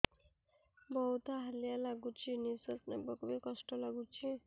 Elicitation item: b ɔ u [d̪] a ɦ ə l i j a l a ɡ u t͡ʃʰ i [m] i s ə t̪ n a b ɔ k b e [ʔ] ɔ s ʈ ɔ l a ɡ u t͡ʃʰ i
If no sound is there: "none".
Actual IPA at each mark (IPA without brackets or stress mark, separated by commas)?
t̪, n, k